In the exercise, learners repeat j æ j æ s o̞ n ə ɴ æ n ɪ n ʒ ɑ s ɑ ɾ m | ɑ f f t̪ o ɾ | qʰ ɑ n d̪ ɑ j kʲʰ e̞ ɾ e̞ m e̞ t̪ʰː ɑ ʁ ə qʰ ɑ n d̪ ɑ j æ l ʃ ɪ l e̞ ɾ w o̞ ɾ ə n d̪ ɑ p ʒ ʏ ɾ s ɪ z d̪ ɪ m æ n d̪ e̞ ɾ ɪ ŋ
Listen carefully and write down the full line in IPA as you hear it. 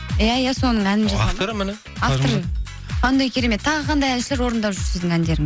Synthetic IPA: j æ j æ s o̞ n ə ɴ æ n ɪ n ʒ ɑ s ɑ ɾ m | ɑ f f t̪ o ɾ | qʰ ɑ n d̪ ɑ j kʲʰ e̞ ɾ e̞ m e̞ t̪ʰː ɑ ʁ ə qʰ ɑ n d̪ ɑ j æ l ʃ ɪ l e̞ ɾ w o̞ ɾ ə n d̪ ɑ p ʒ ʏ ɾ s ɪ z d̪ ɪ ŋ æ n d̪ e̞ ɾ ɪ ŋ